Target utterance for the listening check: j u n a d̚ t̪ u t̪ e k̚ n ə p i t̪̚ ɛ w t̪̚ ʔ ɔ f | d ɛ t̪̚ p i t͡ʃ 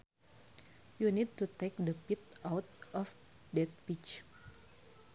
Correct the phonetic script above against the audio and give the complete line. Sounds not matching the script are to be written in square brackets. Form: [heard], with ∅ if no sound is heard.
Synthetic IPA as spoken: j u n [i] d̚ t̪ u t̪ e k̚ [d] ə p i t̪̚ [a] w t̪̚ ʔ ɔ f | d ɛ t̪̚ p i t͡ʃ